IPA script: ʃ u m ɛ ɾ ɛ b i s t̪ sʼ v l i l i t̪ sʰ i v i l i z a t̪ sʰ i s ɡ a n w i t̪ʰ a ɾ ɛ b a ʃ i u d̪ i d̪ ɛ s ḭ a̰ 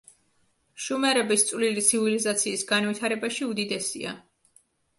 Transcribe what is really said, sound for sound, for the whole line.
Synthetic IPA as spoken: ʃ u m ɛ ɾ ɛ b i s t̪ sʼ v l i l i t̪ sʰ i v i l i z a t̪ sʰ iː s ɡ a n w i t̪ʰ a ɾ ɛ b a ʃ i u d̪ i d̪ ɛ s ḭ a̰